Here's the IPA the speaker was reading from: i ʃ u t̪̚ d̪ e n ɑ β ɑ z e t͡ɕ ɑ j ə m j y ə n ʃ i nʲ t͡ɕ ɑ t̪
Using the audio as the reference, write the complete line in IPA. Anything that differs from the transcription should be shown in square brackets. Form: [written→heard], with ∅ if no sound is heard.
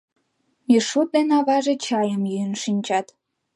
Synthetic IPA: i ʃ u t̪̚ d̪ e n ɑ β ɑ [z→ʒ] e t͡ɕ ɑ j ə m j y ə n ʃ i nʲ t͡ɕ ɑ t̪